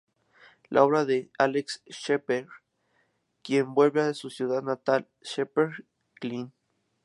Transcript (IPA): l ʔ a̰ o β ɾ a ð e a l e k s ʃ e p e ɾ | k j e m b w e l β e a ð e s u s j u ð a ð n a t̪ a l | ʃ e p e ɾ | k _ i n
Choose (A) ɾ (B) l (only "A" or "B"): B